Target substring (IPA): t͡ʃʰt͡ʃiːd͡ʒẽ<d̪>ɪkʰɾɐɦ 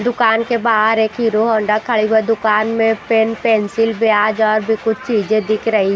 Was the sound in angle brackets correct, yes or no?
yes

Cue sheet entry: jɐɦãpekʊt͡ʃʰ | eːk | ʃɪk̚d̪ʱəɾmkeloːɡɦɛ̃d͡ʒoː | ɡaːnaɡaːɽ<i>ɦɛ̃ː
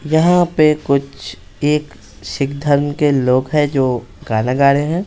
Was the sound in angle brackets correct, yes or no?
no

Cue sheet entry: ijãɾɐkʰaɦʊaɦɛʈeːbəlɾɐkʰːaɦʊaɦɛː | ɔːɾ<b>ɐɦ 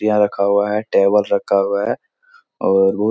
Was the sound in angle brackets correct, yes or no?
yes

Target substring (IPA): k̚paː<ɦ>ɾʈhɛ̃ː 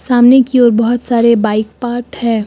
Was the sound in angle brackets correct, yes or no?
no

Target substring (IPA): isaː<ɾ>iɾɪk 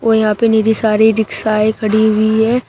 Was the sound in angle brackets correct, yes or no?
yes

